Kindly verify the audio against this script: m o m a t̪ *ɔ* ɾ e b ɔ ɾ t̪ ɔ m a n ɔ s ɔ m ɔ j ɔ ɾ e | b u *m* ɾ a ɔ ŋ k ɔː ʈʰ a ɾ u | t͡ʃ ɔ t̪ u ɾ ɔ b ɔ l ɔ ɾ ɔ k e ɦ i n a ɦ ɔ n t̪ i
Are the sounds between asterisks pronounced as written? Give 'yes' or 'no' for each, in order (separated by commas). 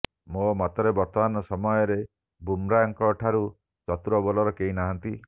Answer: yes, yes